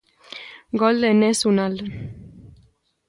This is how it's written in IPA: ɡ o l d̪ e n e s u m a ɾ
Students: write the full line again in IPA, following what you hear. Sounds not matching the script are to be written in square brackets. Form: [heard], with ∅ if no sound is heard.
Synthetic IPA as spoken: ɡ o l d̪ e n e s u [n] a [l]